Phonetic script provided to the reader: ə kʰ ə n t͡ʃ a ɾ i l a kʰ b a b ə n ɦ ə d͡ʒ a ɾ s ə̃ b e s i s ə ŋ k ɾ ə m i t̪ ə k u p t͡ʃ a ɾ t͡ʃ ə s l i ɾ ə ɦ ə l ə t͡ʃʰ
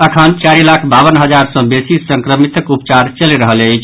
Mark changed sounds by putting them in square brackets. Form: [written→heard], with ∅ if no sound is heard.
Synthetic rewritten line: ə kʰ ə n t͡ʃ a ɾ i l a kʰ b a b ə n ɦ ə d͡ʒ a ɾ s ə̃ b e s i s ə ŋ k ɾ ə m i t̪ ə k u p t͡ʃ a ɾ t͡ʃ ə [s→∅] l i ɾ ə ɦ ə l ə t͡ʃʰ